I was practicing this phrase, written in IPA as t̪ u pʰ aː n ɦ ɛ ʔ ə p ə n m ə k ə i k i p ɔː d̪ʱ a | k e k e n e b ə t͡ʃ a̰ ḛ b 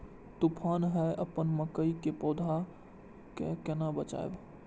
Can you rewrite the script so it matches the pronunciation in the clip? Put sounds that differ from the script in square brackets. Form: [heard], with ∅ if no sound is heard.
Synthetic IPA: t̪ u pʰ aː n ɦ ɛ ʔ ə p ə n m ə k ə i k [e] p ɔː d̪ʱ a | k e k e n [a] b ə t͡ʃ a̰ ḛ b